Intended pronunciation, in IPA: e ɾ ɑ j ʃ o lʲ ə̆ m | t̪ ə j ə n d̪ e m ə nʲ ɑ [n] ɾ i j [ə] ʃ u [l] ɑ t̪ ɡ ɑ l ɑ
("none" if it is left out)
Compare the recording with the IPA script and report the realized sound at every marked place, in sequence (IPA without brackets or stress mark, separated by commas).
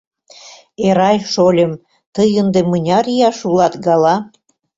none, ɑ, l